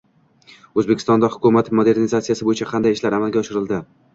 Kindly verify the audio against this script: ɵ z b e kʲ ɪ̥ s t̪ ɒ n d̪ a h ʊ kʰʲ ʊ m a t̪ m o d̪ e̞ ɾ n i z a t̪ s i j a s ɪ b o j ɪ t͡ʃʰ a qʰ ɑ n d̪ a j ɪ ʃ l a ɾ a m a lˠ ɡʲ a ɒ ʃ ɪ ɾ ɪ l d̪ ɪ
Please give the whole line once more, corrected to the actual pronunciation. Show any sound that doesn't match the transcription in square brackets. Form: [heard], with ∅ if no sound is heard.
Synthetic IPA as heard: ɵ z b e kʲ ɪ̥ s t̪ ɒ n d̪ a h ʊ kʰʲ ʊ m a t̪ m o d̪ e̞ ɾ n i z a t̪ s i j a s ɪ b o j ɪ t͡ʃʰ a qʰ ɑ n d̪ a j ɪ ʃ l a ɾ a m a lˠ ɡʲ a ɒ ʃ ɪ ɾ ɪ l d̪ ɪ